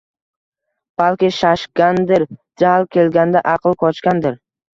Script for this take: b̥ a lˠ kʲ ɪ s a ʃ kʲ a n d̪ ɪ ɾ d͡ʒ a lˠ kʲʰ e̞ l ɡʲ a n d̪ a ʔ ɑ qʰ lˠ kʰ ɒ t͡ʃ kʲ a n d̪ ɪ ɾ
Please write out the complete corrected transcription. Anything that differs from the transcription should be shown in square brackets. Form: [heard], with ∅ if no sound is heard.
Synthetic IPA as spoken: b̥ a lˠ kʲ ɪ [ʃ] a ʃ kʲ a n d̪ ɪ ɾ d͡ʒ a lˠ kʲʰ e̞ l ɡʲ a n d̪ a ʔ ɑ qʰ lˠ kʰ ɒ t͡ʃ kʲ a n d̪ ɪ ɾ